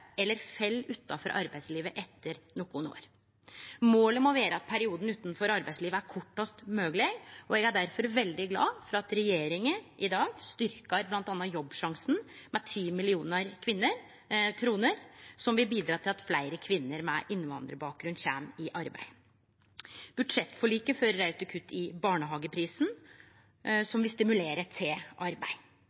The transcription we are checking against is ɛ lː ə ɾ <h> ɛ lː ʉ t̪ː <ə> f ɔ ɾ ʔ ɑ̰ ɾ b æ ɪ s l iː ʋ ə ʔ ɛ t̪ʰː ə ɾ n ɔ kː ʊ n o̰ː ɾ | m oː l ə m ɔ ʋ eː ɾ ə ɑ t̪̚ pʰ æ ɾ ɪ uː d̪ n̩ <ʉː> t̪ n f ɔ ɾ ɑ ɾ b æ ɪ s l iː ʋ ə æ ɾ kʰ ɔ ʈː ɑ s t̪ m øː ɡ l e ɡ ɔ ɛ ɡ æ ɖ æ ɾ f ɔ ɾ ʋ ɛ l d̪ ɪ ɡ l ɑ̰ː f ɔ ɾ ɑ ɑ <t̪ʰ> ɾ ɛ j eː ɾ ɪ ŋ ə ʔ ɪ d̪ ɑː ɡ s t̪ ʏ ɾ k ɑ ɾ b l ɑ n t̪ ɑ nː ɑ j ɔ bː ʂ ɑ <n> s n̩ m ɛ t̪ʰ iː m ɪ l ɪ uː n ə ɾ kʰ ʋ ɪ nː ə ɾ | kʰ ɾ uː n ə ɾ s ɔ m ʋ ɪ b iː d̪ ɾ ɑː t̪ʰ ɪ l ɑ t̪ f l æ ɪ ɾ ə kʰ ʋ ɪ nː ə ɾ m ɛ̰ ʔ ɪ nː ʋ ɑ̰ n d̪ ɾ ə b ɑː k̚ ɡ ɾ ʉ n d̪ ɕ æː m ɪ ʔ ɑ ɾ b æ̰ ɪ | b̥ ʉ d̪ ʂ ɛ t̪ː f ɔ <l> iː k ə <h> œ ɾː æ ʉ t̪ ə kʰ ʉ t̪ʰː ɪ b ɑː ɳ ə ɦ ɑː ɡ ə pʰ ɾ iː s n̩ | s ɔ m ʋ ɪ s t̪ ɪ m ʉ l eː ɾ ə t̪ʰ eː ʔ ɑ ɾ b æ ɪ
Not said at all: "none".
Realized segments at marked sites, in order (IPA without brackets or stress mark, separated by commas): f, ɑ, ʉː, t̪, ŋ, ɭ, f